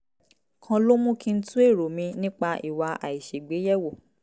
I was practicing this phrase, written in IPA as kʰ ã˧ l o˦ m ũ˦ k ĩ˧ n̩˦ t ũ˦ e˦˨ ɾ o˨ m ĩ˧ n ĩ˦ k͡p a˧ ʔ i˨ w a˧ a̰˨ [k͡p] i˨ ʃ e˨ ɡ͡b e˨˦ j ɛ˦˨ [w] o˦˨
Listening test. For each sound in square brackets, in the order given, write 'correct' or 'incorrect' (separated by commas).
incorrect, correct